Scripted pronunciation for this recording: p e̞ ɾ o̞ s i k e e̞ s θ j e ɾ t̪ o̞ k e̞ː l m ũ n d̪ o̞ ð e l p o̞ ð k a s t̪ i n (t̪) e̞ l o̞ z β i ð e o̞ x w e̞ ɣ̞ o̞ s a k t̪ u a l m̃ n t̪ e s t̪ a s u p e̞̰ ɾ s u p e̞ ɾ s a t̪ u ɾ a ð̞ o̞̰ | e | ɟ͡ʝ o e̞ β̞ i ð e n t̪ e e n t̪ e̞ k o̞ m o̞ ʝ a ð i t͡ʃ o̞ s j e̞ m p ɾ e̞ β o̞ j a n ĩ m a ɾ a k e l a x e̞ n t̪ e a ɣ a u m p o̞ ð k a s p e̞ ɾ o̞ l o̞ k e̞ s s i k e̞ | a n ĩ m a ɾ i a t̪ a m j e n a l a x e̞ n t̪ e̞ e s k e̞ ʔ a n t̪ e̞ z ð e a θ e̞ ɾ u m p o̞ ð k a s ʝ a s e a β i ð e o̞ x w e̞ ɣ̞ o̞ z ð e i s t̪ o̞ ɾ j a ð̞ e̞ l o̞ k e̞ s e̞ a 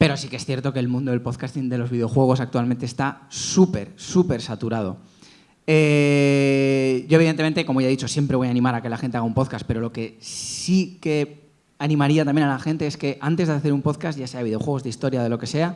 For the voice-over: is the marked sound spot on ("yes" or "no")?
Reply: no